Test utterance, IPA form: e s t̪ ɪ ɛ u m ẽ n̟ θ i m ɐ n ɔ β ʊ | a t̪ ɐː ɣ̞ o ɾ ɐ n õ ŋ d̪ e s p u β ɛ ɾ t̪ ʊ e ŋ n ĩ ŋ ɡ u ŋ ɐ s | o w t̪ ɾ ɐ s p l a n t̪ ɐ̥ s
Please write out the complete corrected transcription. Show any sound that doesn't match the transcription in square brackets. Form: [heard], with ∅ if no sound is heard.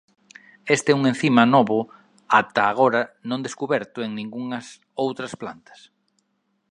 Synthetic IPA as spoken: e s t̪ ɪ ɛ u [ŋ] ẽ n̟ θ i m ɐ n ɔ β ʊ | a t̪ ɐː ɣ̞ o ɾ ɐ n õ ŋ d̪ e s [k] u β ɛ ɾ t̪ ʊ e ŋ n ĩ ŋ ɡ u ŋ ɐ s | o w t̪ ɾ ɐ s p l a n t̪ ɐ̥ s